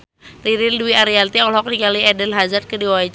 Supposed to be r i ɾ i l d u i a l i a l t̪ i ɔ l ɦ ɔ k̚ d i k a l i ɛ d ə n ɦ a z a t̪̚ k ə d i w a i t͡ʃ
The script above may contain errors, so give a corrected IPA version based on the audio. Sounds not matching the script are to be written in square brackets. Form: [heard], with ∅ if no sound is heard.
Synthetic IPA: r i ɾ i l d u i a [ɾ] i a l t̪ i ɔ l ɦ ɔ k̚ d i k a l i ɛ d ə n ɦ a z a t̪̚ k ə d i w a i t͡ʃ